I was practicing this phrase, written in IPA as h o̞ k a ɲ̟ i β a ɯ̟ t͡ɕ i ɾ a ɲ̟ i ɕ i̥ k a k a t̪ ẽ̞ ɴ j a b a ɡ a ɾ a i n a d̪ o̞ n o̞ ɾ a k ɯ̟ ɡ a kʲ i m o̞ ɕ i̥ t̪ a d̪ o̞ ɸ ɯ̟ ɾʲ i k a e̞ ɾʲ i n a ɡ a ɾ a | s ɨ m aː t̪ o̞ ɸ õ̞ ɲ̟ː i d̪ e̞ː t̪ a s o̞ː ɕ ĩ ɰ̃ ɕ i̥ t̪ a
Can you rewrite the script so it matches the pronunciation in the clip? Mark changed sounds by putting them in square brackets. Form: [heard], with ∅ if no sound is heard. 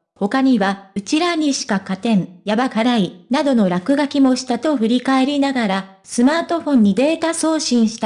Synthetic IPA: h o̞ k a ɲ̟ i β a ɯ̟ t͡ɕ i ɾ a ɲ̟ i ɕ i̥ k a k a t̪ ẽ̞ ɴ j a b a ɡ a ɾ a i n a d̪ o̞ n o̞ ɾ a k ɯ̟ ɡ a kʲ i m o̞ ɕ i̥ t̪ a [t̪] o̞ ɸ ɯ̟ ɾʲ i k a e̞ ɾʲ i n a ɡ a ɾ a | s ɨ m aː t̪ o̞ ɸ õ̞ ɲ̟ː i d̪ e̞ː t̪ a s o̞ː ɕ ĩ ɰ̃ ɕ i̥ t̪ a